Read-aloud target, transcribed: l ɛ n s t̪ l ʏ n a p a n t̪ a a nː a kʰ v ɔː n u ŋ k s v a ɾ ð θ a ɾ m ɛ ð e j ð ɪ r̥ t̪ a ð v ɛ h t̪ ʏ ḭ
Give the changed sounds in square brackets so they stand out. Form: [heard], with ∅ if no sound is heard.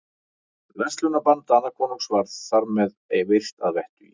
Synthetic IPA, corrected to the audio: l ɛ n s t̪ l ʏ n a p a n t̪ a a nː a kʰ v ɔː n u ŋ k s v a ɾ ð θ a ɾ m ɛ ð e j [v] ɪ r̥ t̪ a ð v ɛ h t̪ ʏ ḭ